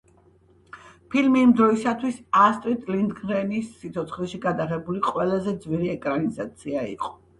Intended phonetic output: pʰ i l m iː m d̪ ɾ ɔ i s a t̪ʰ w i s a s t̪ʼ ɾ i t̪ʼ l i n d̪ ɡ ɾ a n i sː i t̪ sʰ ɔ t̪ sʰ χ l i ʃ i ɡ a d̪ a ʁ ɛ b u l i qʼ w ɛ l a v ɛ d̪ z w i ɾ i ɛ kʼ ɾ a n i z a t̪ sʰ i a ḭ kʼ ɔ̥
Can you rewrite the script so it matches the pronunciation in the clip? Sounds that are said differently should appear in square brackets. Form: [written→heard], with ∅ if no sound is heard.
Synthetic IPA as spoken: pʰ i l m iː m d̪ ɾ ɔ i s a t̪ʰ w i s a s t̪ʼ ɾ i t̪ʼ l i n d̪ ɡ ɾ [a→ɛ] n i sː i t̪ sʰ ɔ t̪ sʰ χ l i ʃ i ɡ a d̪ a ʁ ɛ b u l i qʼ w ɛ l a [v→z] ɛ d̪ z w i ɾ i ɛ kʼ ɾ a n i z a t̪ sʰ i a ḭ [kʼ→qʼ] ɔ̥